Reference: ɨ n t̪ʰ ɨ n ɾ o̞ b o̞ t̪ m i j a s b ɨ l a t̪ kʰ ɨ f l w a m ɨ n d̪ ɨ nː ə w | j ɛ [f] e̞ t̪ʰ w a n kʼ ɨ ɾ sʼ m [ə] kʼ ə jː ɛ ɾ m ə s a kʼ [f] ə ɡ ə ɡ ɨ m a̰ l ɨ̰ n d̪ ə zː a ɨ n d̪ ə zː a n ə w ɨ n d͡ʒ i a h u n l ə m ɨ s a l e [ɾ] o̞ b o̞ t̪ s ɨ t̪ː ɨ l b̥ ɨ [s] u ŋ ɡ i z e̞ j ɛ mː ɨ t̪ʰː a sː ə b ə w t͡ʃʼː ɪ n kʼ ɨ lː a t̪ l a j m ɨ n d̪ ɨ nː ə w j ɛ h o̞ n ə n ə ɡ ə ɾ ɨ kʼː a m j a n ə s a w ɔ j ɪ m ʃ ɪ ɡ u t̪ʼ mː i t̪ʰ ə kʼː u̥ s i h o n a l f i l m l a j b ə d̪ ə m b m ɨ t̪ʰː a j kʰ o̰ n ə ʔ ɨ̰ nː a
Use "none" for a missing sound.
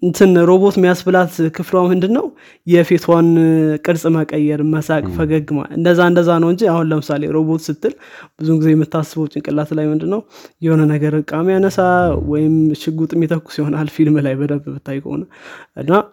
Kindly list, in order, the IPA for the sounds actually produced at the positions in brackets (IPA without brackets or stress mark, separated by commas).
f, ə, f, ɾ, z